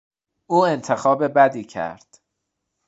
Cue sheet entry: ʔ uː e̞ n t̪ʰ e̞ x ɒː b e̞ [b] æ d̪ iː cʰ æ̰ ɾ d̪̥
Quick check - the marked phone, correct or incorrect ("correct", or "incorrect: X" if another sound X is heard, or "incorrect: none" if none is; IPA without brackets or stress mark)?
correct